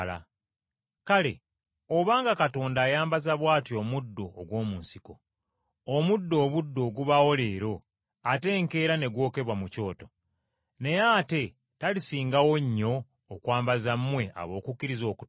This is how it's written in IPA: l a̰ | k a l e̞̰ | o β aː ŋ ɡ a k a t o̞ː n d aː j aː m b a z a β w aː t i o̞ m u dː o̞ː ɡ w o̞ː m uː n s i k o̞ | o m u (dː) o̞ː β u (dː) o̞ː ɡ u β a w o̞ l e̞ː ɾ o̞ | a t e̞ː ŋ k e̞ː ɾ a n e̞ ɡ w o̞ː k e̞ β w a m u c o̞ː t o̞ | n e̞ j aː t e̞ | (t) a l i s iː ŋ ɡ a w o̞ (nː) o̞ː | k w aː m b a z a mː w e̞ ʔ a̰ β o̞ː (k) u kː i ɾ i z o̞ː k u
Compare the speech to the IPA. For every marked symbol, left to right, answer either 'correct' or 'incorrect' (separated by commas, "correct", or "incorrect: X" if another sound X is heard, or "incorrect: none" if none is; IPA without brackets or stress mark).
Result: correct, correct, correct, incorrect: ɲː, correct